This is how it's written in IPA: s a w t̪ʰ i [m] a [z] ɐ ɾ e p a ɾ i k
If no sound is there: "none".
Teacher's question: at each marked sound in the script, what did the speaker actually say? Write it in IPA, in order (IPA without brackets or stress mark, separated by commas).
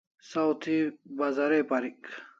b, z